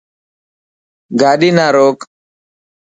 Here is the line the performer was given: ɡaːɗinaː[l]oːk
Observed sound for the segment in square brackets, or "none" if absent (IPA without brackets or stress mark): ɾ